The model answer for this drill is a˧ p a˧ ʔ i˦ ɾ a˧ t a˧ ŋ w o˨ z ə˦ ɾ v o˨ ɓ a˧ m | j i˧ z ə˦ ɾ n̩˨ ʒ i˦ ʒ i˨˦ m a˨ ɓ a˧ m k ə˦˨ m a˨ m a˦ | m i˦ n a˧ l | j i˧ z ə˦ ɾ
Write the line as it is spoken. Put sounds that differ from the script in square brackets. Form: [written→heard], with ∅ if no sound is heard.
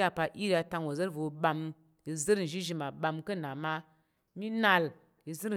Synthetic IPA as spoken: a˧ p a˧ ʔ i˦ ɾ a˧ t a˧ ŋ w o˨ z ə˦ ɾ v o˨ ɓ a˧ m | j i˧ z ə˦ ɾ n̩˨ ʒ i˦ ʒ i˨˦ m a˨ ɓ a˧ m k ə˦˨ [m→n] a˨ m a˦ | m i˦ n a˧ l | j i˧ z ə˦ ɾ